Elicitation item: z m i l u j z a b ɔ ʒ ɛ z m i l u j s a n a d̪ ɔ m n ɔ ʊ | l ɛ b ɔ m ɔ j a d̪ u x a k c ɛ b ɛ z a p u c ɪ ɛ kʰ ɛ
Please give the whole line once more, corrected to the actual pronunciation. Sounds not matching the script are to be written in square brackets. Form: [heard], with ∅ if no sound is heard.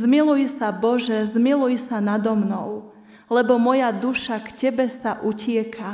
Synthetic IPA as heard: z m i l u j [s] a b ɔ ʒ ɛ z m i l u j s a n a d̪ ɔ m n ɔ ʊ | l ɛ b ɔ m ɔ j a d̪ u [ʃ] a k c ɛ b ɛ [s] a [ʔ] u c ɪ ɛ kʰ [a]